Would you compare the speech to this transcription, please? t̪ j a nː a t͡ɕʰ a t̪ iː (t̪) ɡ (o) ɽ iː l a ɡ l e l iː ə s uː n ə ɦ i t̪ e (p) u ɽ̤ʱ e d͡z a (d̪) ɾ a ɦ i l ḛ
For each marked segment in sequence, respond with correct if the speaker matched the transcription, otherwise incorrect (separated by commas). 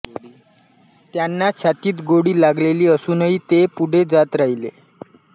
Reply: correct, correct, correct, incorrect